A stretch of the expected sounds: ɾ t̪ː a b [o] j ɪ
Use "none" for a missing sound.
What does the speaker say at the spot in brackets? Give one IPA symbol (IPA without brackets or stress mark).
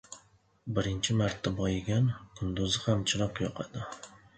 ɒ